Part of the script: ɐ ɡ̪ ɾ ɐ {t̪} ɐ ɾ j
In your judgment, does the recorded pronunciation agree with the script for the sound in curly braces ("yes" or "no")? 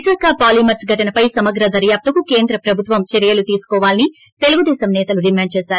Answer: no